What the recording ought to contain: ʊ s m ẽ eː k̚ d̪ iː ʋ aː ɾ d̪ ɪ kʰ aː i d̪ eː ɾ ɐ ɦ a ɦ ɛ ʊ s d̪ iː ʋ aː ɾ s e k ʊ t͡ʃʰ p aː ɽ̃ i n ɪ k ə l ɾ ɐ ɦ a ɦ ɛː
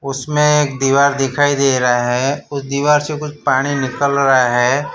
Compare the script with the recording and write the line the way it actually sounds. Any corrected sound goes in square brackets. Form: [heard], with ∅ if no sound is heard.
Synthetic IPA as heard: ʊ s m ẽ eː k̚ d̪ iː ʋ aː ɾ d̪ ɪ kʰ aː i d̪ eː ɾ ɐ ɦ a ɦ ɛ ʊ s d̪ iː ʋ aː ɾ s e k ʊ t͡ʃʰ p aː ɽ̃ i n ɪ k ə l ɾ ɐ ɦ a ɦ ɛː